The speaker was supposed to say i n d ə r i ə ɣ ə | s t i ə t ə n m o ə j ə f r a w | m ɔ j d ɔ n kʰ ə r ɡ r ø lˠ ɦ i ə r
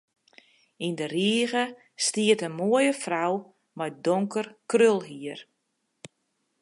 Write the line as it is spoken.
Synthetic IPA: i n d ə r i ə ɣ ə | s t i ə t ə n m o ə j ə f r a w | m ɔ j d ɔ ŋ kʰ ə r k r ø lˠ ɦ i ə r